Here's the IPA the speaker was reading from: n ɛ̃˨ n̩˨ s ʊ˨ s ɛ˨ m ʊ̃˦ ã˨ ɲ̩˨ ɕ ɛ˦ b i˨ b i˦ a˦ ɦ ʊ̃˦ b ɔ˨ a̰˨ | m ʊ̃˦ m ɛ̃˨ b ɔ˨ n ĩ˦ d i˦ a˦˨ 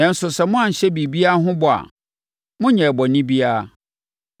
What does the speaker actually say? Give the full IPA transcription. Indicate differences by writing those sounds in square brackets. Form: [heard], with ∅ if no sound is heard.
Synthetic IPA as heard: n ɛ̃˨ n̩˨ s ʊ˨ s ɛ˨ m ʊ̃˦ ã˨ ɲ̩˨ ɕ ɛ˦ b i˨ b i˦ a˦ ɦ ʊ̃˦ b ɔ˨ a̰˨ | m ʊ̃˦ [ɲ] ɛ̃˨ b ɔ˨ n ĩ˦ [b] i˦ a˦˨